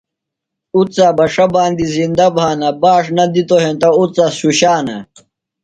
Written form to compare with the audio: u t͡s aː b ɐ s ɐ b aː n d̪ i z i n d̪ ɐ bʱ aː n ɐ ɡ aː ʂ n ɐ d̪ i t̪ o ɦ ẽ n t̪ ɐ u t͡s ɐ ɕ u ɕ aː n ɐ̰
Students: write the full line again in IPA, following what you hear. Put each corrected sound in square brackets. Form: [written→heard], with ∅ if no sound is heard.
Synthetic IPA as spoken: u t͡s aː b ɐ [s→ʂ] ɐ b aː n d̪ i z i n d̪ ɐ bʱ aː n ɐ [ɡ→b] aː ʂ n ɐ d̪ i t̪ o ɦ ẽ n t̪ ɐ u t͡s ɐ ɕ u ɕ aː n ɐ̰